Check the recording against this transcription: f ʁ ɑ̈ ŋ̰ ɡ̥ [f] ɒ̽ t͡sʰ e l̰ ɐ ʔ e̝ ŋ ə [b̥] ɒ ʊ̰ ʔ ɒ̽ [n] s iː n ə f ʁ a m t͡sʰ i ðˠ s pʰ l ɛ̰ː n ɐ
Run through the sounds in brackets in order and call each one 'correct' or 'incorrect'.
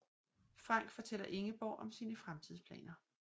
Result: correct, correct, incorrect: m

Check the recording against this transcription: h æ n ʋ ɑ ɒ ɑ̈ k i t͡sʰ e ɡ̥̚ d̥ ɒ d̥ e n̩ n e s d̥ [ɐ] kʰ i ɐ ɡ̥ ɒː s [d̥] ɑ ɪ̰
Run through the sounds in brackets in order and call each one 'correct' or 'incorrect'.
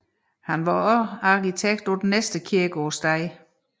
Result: incorrect: ə, correct

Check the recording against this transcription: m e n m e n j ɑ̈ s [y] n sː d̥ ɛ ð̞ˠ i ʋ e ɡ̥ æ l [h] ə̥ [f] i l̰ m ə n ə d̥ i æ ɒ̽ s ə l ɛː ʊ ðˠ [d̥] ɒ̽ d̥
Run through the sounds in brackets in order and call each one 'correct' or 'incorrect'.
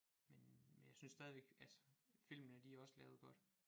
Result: correct, incorrect: s, correct, incorrect: ɡ̥

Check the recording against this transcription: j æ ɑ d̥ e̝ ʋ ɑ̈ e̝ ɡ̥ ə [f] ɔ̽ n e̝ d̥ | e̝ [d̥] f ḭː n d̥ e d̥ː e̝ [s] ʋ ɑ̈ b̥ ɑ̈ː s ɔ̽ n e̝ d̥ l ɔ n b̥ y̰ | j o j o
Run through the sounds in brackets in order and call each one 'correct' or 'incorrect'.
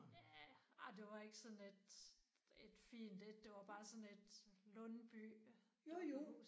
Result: incorrect: s, correct, incorrect: none

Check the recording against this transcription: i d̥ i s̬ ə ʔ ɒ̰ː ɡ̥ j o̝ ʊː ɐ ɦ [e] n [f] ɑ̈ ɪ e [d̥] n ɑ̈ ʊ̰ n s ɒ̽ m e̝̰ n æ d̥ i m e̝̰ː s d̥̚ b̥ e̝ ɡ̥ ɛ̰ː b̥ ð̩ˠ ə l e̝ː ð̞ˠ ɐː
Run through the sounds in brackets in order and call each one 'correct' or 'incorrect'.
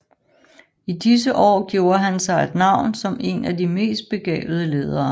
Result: incorrect: æ, incorrect: s, correct

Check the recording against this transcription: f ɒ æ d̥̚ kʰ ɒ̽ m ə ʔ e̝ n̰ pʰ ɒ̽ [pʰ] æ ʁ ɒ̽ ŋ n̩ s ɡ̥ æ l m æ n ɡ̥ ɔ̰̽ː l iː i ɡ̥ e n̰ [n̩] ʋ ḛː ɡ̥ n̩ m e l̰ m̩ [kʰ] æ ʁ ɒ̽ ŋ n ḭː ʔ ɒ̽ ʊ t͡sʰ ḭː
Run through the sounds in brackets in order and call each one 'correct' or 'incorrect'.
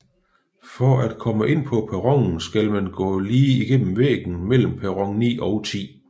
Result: correct, incorrect: m̩, incorrect: pʰ

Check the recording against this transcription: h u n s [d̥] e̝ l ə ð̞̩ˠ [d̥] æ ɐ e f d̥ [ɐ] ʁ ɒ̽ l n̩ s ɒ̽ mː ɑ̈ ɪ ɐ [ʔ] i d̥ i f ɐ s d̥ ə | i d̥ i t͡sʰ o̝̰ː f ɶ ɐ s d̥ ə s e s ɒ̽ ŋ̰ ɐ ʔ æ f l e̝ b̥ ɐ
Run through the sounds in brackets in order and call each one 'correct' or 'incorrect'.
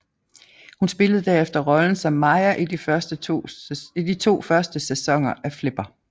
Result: incorrect: b̥, correct, correct, correct

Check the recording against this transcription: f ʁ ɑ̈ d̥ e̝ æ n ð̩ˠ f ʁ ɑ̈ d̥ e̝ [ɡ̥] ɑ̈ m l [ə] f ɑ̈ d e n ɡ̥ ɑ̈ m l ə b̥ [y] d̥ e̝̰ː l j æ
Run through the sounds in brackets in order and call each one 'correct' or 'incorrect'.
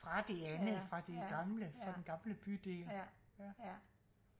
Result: correct, correct, correct

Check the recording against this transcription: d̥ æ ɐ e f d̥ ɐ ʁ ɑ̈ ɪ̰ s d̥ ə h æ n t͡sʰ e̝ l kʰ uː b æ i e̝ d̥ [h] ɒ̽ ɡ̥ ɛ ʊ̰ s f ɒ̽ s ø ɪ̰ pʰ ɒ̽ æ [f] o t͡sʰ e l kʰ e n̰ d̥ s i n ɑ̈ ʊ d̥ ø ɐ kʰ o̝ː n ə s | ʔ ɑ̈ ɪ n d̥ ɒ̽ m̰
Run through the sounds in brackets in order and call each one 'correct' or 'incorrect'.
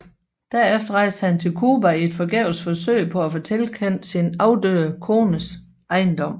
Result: incorrect: f, correct

